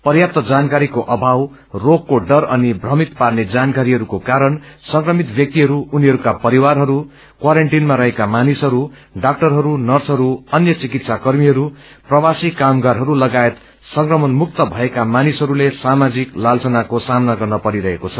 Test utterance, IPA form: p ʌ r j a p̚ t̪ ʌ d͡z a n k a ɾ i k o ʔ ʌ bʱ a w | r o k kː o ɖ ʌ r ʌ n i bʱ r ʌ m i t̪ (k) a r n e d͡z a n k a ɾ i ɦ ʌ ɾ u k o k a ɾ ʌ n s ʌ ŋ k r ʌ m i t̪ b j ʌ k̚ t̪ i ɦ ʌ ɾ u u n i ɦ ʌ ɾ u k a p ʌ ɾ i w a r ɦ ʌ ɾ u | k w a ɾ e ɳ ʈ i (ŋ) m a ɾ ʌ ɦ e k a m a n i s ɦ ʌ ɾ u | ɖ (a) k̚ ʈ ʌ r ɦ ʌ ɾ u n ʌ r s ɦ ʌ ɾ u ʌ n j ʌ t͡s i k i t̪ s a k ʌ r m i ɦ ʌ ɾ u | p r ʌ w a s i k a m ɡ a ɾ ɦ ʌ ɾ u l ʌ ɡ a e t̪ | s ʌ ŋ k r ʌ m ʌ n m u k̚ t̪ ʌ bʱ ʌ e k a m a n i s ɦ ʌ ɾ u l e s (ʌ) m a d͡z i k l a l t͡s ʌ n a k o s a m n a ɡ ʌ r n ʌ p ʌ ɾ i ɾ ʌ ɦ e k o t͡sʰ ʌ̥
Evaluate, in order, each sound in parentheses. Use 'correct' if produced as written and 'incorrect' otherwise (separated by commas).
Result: incorrect, incorrect, correct, incorrect